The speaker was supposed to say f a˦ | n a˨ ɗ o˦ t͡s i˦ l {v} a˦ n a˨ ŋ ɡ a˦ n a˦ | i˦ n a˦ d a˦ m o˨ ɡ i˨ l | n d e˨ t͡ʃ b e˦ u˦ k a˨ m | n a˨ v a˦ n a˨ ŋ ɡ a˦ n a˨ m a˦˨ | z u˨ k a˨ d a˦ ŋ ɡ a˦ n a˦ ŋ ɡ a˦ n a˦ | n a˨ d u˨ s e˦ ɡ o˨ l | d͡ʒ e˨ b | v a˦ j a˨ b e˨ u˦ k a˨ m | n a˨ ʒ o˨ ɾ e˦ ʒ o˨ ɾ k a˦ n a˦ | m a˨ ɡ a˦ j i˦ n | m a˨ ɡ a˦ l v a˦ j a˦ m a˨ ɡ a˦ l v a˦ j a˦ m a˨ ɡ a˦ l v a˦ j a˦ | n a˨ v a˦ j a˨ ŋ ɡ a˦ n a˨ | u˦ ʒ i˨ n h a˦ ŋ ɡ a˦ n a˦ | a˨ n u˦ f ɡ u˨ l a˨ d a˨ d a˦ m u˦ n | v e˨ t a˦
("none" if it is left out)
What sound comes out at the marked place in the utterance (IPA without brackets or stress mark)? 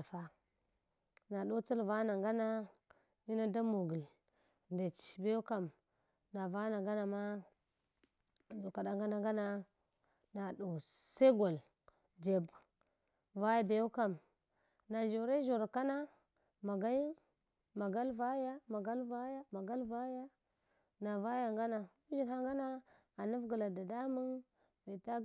v